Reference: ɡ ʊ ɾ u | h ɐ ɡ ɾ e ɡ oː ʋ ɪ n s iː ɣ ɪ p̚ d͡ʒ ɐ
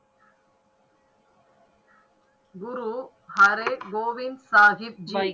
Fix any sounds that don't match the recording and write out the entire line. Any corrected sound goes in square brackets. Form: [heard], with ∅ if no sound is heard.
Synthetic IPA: ɡ ʊ ɾ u | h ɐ [∅] ɾ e ɡ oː ʋ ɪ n s [aː] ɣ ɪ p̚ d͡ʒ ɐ